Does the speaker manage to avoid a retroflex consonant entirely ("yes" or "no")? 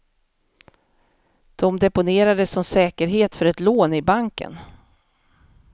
yes